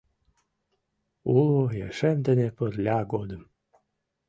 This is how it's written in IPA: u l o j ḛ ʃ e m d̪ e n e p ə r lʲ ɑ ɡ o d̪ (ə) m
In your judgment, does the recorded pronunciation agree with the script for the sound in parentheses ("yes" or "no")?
yes